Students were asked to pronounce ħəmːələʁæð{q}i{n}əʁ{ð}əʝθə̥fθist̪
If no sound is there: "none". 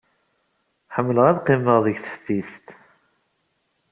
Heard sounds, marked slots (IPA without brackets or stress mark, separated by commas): q, m, ð